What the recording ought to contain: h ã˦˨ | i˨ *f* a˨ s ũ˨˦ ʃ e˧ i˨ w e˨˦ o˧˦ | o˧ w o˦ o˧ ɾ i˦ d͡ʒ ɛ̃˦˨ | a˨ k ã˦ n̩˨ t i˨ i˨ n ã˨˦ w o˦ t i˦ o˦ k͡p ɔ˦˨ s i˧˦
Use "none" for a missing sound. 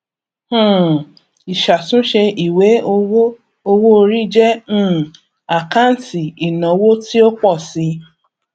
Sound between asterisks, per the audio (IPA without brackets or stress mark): ʃ